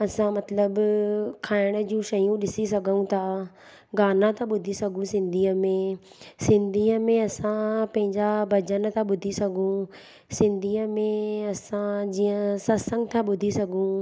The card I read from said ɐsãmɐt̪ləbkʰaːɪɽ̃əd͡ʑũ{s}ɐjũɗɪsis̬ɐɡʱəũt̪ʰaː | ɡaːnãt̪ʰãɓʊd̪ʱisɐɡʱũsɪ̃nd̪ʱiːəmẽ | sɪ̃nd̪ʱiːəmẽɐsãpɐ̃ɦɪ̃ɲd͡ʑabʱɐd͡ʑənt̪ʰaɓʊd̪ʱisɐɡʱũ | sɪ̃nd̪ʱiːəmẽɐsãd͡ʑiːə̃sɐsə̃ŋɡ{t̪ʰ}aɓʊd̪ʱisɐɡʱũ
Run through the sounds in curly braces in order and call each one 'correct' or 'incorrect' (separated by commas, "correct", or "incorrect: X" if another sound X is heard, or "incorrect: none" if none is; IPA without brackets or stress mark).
incorrect: ʃ, correct